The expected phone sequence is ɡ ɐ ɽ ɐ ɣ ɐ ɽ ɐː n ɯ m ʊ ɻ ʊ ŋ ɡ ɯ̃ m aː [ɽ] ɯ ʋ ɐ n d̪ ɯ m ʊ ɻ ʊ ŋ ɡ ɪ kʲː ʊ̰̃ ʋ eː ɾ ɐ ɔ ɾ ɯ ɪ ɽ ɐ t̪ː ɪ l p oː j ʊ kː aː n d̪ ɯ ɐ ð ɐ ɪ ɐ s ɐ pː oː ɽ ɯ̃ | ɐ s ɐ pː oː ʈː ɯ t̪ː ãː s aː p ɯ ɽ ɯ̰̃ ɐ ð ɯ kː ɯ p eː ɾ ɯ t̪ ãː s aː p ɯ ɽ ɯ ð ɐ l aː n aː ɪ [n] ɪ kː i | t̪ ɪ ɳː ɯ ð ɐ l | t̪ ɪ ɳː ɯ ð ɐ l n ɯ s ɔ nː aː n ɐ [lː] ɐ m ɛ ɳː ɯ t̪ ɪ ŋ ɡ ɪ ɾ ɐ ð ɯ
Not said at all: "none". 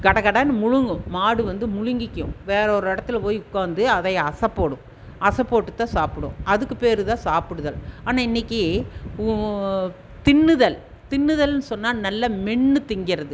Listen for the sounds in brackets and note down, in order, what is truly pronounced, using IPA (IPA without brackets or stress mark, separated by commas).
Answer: ɽ, nː, lː